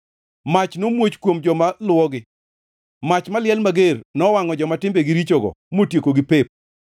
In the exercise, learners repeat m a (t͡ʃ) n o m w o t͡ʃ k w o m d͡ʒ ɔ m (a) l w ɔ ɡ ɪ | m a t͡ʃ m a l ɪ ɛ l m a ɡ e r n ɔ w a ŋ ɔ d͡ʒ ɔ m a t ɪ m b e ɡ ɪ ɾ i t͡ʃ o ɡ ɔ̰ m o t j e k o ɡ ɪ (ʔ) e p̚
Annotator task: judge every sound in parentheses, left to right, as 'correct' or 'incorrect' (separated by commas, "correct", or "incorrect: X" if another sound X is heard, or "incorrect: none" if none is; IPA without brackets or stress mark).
correct, correct, incorrect: p